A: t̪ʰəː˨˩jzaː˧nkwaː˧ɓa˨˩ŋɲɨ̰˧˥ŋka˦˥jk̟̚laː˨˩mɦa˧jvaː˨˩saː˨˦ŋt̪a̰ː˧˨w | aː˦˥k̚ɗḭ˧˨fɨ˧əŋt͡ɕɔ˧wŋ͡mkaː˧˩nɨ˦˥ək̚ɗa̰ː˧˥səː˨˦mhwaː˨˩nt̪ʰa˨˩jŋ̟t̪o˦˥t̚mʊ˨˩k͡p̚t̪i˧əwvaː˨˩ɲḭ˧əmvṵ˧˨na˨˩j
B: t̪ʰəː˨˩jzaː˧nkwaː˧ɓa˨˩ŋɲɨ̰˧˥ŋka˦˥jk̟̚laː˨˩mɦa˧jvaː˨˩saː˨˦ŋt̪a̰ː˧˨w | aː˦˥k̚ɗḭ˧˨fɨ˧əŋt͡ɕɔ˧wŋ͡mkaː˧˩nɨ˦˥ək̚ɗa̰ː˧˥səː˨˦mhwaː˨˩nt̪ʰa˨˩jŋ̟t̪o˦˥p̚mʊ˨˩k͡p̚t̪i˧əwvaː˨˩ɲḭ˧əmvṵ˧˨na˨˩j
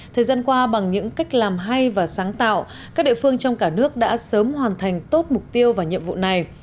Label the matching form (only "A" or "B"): A